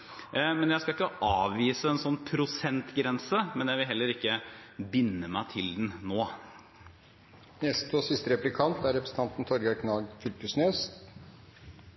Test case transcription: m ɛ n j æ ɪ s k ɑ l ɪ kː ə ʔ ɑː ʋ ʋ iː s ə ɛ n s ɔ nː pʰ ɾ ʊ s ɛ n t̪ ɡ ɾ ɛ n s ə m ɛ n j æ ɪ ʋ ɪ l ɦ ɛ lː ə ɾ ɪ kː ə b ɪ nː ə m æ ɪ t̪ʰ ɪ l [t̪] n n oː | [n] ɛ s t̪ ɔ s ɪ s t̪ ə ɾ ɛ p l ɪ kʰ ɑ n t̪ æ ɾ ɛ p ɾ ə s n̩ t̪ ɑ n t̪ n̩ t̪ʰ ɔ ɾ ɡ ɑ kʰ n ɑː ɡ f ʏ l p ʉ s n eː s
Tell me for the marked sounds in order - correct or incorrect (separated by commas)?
incorrect, correct